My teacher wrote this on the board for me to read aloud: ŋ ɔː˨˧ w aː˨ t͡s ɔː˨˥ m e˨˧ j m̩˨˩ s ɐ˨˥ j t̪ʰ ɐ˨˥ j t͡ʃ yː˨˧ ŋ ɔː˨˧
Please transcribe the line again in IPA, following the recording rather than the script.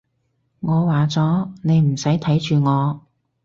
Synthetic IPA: ŋ ɔː˨˧ w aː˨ t͡s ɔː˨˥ n e˨˧ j m̩˨˩ s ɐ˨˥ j t̪ʰ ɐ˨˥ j t͡ʃ yː˨˧ ŋ ɔː˨˧